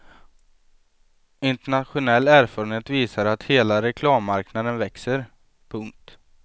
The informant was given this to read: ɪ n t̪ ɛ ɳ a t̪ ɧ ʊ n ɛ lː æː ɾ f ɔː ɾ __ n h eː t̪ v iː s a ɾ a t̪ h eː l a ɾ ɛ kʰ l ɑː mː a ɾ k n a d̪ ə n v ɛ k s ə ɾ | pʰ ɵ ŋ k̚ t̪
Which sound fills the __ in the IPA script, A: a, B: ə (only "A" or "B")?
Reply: B